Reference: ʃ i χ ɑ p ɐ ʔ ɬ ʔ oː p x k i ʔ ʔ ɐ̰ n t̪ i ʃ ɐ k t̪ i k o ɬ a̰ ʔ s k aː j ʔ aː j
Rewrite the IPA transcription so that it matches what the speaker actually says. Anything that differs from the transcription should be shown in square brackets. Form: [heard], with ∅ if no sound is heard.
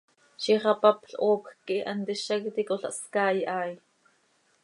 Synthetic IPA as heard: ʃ i χ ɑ p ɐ [p] ɬ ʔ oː p x k i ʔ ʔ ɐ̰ n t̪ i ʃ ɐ k t̪ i k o ɬ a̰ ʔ s k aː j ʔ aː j